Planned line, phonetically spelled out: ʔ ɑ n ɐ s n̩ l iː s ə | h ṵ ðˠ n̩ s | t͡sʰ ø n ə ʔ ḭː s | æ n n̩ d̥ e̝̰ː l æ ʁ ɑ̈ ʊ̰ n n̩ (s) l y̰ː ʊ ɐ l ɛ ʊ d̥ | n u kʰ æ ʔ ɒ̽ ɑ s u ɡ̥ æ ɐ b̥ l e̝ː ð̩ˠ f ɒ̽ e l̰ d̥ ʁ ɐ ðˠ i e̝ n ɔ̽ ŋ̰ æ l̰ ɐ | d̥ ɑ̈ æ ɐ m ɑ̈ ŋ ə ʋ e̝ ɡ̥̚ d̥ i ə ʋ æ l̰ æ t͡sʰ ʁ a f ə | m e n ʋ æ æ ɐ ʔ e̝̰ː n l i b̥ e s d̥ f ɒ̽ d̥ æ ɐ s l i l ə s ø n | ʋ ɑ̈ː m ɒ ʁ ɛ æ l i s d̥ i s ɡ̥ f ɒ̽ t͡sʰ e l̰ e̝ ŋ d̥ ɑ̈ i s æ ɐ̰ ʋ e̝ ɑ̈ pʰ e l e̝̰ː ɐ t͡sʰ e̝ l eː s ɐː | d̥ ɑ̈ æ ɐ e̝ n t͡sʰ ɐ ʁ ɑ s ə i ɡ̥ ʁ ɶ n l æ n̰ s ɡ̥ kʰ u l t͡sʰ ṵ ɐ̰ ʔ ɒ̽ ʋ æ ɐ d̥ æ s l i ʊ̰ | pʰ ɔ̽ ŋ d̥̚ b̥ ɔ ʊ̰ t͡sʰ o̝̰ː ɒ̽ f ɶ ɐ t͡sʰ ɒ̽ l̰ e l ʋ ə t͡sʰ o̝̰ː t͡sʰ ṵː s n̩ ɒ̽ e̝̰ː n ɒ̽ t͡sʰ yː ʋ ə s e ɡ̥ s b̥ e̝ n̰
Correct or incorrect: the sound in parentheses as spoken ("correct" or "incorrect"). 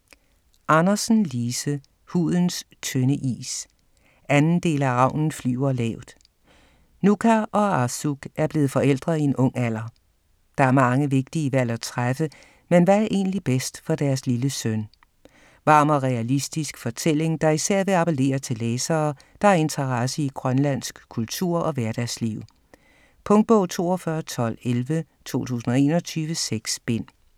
incorrect